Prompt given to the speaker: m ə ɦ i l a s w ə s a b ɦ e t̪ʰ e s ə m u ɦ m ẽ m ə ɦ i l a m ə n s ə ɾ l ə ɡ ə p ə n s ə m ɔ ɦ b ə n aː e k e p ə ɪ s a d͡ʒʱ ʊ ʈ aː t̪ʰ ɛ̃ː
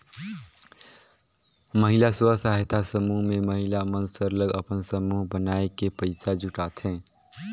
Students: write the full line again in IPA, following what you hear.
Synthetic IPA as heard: m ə ɦ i l a s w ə s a ɦ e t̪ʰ a s ə m u ɦ m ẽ m ə ɦ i l a m ə n s ə ɾ l ə ɡ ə p ə n s ə m u ɦ b ə n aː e k e p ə ɪ s a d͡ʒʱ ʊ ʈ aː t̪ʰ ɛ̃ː